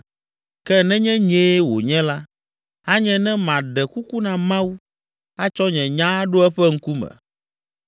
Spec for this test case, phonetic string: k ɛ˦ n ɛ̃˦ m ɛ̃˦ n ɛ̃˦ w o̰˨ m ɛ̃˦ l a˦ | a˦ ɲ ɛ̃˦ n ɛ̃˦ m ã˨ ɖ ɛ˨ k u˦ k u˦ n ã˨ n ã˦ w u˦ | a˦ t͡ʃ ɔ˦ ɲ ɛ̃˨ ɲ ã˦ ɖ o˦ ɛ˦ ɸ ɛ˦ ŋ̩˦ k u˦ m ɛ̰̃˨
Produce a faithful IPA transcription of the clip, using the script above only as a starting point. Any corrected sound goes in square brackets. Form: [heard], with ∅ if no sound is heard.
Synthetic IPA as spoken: k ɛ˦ n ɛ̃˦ [ɲ] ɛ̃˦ [ɲ] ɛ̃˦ w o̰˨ [ɲ] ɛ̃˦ l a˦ | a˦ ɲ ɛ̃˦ n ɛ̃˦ m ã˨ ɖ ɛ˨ k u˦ k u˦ n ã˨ [m] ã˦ w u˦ | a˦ t͡ʃ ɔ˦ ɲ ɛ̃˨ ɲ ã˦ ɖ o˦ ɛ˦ ɸ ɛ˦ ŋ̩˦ k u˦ m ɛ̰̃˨

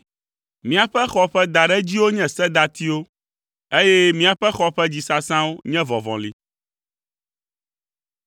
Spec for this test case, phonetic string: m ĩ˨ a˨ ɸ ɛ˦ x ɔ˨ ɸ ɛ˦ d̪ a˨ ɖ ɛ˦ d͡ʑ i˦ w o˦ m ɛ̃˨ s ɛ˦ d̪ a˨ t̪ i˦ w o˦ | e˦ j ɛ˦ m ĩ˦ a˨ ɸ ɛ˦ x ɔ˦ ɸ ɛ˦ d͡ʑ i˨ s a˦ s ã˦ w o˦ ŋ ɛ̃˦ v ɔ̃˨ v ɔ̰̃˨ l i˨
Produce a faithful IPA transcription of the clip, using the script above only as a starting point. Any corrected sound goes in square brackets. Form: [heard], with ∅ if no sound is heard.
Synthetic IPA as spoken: m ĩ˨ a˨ ɸ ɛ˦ x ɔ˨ ɸ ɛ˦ d̪ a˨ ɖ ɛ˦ d͡ʑ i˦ w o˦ [ɲ] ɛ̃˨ s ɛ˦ d̪ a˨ t̪ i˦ w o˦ | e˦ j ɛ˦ m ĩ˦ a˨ ɸ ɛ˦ x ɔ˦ ɸ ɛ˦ d͡ʑ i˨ s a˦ s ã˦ w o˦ [ɲ] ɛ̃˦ v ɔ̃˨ v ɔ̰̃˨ l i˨

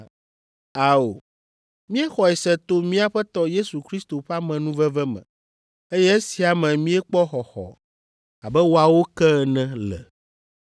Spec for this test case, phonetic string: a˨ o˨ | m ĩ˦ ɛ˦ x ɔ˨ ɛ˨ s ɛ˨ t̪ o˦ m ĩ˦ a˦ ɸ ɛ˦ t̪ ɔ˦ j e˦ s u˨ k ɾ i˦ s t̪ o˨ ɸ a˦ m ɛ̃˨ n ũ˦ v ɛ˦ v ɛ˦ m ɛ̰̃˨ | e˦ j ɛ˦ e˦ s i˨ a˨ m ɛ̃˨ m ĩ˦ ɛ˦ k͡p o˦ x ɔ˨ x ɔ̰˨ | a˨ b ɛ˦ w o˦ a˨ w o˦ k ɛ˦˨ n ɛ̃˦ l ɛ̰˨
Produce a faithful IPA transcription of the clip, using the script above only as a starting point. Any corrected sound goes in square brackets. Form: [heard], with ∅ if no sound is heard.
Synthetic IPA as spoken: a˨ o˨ | m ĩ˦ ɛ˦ x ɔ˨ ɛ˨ s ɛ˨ t̪ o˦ m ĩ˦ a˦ ɸ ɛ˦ t̪ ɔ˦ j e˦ s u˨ k ɾ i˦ s t̪ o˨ ɸ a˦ m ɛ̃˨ n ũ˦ v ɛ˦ v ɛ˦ m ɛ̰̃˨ | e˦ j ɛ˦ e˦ s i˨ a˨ m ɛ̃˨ m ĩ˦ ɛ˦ k͡p [ɔ˦] x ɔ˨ x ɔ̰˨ | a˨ b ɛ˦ w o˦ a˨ w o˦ k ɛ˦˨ n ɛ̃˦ l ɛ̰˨

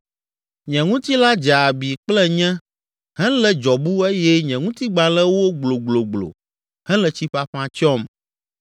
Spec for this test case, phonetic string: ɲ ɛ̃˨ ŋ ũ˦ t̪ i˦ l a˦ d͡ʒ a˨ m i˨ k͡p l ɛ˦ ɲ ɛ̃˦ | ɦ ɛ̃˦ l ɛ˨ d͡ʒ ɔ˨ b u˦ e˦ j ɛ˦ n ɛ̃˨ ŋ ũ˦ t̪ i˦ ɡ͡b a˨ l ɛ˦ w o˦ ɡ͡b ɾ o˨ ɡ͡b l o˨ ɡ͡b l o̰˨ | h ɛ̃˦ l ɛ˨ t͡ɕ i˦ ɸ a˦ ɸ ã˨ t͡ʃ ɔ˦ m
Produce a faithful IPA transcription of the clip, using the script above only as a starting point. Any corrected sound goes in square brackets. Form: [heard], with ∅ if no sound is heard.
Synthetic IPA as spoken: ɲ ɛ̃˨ ŋ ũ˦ t̪ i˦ l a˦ d͡ʒ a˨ [b] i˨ k͡p l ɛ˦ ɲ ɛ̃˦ | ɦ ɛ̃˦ l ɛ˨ d͡ʒ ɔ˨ b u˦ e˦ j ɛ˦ [ɲ] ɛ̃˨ ŋ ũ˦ t̪ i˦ ɡ͡b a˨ l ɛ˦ w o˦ ɡ͡b [l] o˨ ɡ͡b l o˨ ɡ͡b l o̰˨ | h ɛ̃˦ l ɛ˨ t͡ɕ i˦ ɸ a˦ ɸ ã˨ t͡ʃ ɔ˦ m

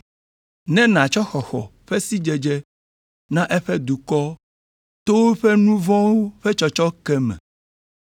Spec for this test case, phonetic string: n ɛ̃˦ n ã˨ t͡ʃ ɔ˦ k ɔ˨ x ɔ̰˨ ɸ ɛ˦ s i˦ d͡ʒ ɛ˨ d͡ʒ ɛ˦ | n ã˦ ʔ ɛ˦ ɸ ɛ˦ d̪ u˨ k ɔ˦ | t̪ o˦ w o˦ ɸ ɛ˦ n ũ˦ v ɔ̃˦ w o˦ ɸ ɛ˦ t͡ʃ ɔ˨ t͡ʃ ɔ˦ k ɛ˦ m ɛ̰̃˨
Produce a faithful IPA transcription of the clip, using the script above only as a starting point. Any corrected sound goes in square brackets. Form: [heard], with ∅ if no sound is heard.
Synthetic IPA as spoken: n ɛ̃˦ n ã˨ t͡ʃ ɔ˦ [x] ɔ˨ x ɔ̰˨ ɸ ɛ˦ s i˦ d͡ʒ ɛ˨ d͡ʒ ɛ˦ | n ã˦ ʔ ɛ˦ ɸ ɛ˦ d̪ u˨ k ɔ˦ | t̪ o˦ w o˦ ɸ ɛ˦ n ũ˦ v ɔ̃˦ w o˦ ɸ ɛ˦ t͡ʃ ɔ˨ t͡ʃ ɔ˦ k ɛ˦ m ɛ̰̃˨

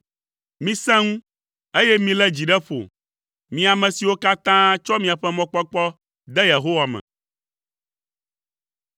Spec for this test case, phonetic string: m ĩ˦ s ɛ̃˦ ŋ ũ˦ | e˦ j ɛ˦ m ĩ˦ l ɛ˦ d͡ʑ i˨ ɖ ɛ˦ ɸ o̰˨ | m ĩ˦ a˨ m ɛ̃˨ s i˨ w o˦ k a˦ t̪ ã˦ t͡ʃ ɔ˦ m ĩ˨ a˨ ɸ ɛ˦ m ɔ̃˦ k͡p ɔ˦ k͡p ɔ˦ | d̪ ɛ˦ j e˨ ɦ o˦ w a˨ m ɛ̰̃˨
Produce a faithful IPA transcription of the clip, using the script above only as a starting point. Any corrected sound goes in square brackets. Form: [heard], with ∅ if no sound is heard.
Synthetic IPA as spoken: m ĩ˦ s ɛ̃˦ ŋ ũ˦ | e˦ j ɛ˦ m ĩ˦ l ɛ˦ d͡ʑ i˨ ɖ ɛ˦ ɸ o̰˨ | m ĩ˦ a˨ m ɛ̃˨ s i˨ w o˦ k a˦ t̪ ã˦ t͡ʃ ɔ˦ m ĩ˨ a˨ ɸ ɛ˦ m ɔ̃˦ k͡p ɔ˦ k͡p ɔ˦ | d̪ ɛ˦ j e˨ ɦ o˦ w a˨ m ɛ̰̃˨

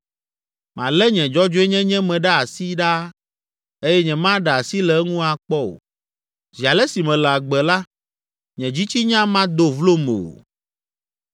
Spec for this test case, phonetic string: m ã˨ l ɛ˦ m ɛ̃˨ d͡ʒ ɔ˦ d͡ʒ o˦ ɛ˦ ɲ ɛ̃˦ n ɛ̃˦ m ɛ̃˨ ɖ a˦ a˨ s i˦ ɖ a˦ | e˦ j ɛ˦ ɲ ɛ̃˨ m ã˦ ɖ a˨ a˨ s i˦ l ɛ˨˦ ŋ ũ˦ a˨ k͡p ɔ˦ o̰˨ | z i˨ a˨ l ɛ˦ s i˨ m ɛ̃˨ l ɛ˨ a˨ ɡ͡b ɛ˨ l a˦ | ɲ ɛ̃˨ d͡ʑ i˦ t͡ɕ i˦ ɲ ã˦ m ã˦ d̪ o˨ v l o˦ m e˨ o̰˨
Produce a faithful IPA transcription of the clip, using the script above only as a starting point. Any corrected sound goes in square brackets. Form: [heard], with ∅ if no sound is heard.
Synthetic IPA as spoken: m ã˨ l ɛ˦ [ɲ] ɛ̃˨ d͡ʒ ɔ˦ d͡ʒ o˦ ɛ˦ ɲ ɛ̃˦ [ɲ] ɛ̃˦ m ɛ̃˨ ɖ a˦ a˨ s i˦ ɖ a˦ | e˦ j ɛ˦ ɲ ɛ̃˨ m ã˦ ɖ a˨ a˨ s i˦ l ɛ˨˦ ŋ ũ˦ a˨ k͡p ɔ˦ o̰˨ | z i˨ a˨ l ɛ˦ s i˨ m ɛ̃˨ l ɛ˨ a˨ ɡ͡b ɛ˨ l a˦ | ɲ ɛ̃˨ d͡ʑ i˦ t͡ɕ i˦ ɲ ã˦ m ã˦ d̪ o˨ v l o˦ m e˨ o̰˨

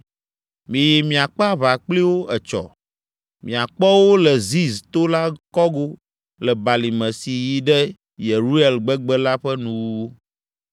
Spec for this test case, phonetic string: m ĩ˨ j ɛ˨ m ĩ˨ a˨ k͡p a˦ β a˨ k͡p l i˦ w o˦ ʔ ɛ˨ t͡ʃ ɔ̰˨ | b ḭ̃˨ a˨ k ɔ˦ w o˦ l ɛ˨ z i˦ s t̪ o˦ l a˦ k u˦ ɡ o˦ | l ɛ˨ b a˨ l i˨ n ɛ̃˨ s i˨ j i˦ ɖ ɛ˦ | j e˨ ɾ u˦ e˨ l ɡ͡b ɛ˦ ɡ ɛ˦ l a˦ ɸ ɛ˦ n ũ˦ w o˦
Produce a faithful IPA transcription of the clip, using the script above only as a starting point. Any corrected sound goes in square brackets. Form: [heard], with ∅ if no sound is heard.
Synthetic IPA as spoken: m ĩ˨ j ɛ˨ m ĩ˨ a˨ k͡p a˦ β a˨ k͡p l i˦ w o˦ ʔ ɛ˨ t͡ʃ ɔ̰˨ | [m] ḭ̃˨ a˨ [k͡p] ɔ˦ w o˦ l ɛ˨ z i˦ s t̪ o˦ l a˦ k [ɔ˦] ɡ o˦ | l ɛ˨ b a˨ l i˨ [m] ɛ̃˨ s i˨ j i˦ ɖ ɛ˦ | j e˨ ɾ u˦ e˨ l ɡ͡b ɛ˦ [ɡ͡b] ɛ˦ l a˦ ɸ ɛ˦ n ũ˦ w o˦

